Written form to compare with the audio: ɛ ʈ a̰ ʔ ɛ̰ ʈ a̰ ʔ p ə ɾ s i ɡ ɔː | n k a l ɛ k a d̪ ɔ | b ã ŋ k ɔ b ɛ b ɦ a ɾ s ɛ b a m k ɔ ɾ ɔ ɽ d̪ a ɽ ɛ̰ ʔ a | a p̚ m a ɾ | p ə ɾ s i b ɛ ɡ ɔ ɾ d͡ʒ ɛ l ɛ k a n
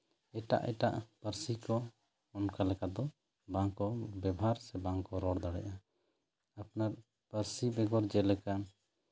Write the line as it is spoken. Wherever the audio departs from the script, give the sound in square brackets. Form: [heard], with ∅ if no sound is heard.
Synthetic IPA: ɛ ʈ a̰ ʔ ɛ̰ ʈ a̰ ʔ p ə ɾ s i [k] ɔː | n k a l ɛ k a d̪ ɔ | b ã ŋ k ɔ b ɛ b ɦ a ɾ s ɛ b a [ŋ] k ɔ ɾ ɔ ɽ d̪ a ɽ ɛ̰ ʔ a | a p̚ [n] a ɾ | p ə ɾ s i b ɛ ɡ ɔ ɾ d͡ʒ ɛ l ɛ k a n